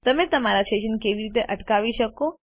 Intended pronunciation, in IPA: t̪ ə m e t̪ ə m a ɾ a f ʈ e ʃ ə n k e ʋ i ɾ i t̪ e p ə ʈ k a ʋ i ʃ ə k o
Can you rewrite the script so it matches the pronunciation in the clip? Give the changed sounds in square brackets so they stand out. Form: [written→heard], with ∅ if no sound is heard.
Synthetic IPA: t̪ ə m e t̪ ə m a ɾ a [f→s] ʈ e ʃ ə n k e ʋ i ɾ i t̪ e [p→ʔ] ə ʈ k a ʋ i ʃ ə k o